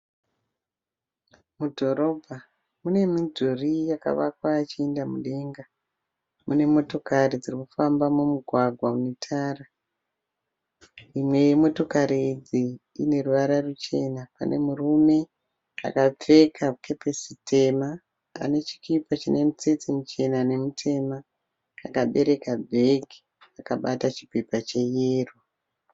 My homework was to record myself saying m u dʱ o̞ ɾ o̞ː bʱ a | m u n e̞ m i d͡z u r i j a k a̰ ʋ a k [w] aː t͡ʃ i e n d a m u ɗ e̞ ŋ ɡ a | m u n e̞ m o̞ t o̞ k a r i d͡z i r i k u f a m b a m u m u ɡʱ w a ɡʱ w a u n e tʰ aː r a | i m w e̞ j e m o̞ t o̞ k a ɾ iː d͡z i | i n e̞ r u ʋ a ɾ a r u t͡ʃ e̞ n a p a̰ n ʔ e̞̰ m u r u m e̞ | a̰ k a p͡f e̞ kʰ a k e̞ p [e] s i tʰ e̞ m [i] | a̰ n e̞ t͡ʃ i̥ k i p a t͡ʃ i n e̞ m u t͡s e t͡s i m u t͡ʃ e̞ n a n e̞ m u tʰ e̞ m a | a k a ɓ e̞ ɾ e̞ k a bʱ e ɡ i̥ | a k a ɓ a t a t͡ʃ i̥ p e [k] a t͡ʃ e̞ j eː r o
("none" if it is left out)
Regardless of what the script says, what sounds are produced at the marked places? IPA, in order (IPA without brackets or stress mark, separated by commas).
w, e, a, p